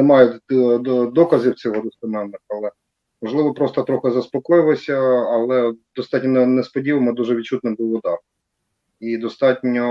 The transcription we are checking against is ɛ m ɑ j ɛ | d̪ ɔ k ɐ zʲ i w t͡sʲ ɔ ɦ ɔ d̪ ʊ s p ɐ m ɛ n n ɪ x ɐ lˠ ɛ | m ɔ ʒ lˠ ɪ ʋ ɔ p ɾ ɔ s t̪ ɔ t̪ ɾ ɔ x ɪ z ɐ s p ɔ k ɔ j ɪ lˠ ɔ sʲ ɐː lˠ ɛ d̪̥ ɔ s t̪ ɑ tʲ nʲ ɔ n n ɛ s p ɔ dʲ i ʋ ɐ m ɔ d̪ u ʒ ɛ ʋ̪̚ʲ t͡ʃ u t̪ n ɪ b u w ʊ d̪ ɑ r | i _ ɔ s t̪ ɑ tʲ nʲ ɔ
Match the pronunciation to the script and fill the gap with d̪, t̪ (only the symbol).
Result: d̪